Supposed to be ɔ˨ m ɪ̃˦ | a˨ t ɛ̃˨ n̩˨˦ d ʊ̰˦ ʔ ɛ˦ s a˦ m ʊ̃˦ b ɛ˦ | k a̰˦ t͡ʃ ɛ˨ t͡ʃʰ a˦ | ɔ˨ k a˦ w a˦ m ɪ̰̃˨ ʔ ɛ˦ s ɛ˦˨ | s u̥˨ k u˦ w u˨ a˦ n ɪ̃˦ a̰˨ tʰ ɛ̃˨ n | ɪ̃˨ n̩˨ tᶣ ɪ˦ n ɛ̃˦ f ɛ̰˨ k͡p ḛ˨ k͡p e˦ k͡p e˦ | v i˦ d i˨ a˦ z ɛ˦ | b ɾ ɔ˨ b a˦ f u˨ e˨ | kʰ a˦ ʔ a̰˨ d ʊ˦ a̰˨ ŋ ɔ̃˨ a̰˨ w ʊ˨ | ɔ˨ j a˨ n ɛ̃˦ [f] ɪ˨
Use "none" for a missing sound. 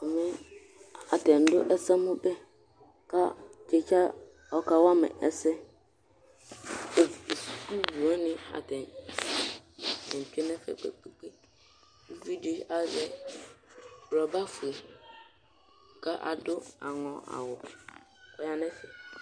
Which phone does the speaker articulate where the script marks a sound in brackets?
s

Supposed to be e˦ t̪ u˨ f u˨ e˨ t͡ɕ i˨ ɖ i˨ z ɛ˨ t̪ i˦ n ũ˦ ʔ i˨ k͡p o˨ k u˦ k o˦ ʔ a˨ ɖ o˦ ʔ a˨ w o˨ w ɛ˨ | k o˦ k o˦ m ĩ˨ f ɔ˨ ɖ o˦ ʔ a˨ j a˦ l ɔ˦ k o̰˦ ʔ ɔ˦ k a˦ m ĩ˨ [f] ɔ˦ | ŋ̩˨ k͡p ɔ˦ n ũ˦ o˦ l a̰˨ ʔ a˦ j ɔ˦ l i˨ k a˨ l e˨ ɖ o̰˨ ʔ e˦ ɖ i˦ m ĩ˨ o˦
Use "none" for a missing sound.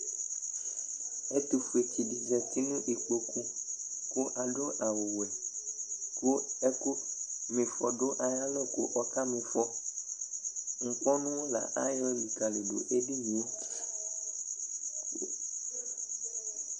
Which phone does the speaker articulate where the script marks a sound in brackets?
f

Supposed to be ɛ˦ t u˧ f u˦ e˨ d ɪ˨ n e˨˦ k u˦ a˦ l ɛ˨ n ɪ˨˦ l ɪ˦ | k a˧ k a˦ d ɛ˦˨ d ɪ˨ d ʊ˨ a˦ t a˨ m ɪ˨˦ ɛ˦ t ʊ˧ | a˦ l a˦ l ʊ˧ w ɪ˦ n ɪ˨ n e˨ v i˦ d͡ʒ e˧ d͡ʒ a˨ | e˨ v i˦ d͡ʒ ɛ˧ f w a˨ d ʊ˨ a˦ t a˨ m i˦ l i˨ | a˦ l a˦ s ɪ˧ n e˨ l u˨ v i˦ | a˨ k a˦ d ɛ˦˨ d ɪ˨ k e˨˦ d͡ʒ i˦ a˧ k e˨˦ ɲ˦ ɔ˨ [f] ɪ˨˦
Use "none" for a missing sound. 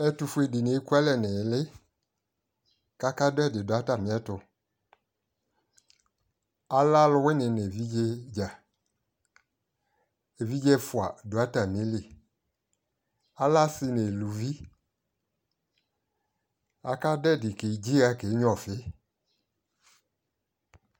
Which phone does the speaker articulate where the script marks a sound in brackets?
f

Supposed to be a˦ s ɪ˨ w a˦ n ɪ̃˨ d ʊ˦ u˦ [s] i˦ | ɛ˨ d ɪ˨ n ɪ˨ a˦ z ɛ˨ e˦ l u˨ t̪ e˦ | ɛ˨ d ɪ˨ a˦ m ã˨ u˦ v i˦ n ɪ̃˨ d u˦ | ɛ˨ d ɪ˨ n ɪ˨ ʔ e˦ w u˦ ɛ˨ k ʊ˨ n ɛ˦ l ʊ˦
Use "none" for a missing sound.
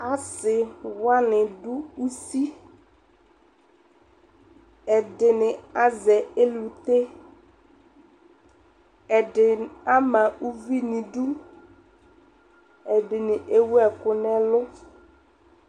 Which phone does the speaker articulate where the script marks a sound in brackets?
s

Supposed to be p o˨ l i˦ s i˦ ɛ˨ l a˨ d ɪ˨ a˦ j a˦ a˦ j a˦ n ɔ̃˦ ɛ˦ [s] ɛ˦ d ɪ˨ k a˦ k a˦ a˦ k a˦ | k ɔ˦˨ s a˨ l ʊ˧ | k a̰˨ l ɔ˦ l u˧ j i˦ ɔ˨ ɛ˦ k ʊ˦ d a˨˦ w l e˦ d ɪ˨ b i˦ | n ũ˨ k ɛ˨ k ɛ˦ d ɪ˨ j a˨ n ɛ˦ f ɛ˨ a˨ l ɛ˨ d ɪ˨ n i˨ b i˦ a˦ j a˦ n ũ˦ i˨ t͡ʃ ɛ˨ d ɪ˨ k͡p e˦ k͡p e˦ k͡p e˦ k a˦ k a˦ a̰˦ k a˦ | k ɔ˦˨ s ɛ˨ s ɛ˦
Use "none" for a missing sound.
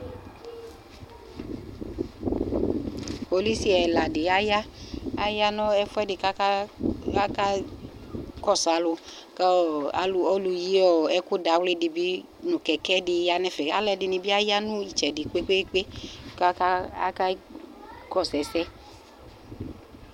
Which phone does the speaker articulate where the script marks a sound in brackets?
f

